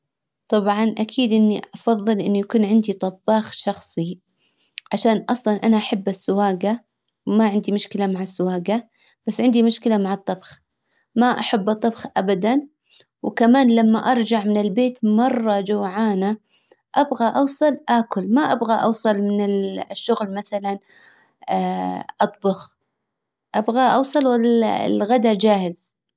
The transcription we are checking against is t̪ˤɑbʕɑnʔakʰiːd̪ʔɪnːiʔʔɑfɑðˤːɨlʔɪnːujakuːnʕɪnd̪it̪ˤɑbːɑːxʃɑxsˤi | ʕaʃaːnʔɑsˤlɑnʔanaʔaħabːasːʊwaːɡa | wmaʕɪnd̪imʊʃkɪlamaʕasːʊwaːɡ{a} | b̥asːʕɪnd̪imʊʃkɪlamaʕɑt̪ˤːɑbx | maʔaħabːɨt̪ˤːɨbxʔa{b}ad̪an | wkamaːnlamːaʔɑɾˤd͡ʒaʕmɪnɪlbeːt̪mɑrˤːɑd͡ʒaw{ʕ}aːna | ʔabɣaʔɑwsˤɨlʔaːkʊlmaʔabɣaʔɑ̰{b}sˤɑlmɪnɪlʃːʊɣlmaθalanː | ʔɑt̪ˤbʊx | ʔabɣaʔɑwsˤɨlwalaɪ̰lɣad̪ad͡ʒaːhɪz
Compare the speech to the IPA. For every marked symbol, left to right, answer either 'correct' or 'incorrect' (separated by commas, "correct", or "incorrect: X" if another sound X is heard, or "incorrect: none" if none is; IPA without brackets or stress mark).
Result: correct, correct, correct, incorrect: w